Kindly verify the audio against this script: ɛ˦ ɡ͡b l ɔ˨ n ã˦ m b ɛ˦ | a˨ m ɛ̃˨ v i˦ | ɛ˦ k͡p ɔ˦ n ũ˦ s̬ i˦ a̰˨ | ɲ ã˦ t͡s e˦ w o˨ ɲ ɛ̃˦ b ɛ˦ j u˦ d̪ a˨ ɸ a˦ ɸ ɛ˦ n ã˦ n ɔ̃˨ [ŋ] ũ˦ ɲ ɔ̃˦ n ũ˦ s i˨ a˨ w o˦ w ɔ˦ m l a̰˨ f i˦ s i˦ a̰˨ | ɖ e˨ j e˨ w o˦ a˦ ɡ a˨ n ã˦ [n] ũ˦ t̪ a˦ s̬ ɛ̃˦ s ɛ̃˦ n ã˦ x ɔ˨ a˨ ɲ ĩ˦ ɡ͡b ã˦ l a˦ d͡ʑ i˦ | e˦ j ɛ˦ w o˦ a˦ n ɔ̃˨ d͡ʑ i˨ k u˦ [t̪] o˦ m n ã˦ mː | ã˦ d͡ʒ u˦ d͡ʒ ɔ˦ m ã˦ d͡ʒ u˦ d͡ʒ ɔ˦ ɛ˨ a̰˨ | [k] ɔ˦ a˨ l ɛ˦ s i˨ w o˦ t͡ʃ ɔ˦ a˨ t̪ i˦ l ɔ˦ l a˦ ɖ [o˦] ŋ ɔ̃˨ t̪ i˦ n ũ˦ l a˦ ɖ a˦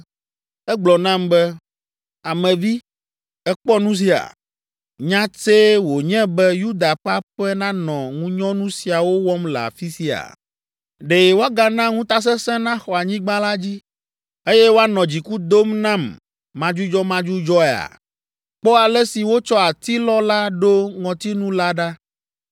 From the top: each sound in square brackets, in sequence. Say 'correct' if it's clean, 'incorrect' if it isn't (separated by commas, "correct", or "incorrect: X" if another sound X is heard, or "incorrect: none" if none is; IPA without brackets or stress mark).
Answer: correct, incorrect: ŋ, incorrect: d̪, incorrect: k͡p, correct